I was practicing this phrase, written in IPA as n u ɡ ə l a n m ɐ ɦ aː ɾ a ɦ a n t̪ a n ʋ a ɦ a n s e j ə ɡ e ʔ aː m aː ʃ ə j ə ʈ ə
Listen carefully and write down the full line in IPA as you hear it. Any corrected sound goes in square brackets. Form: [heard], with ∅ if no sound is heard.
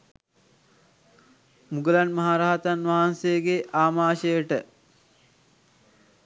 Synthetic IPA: [m] u ɡ ə l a n m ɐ ɦ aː ɾ a ɦ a [∅] t̪ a n ʋ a ɦ a n s e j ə ɡ e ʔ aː m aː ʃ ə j ə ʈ ə